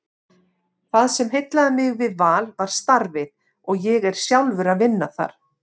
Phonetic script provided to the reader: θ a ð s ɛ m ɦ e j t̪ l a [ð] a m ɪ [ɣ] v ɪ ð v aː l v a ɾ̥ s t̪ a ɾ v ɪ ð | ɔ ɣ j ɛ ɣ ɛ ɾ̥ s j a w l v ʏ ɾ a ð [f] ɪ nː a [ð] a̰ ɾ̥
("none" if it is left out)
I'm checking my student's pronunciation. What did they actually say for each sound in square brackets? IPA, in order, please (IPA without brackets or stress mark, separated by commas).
ð, ɣ, v, θ